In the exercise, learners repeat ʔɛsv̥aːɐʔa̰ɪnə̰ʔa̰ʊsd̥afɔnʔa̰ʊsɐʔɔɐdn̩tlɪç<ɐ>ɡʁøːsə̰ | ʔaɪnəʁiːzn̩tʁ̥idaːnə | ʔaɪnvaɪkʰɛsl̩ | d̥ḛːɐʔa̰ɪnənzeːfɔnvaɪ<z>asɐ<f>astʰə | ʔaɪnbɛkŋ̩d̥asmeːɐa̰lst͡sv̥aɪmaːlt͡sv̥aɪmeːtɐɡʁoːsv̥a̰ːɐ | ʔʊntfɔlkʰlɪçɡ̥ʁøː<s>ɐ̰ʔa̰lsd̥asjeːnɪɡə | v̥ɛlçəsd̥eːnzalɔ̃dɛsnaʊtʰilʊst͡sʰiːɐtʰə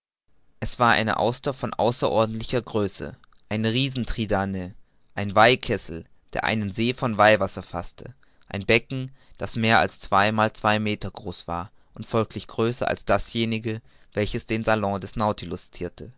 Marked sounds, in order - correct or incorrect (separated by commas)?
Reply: correct, incorrect, correct, correct